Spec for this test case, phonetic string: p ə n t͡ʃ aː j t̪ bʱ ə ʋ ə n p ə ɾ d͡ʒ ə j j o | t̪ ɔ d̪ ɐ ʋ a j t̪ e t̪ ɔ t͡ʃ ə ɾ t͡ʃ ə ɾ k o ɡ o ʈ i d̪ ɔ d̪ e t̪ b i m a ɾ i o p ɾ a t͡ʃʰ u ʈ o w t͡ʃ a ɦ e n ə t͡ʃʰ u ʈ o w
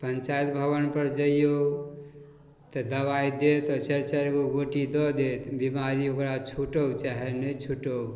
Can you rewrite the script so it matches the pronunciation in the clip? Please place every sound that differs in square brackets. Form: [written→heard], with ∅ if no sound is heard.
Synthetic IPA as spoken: p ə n t͡ʃ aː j t̪ bʱ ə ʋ ə n p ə ɾ d͡ʒ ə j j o | t̪ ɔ d̪ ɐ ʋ a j [t̪→d̪] e t̪ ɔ t͡ʃ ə ɾ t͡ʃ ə ɾ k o ɡ o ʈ i d̪ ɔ d̪ e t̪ b i m a ɾ i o [p→k] ɾ a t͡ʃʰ u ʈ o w t͡ʃ a ɦ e n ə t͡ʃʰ u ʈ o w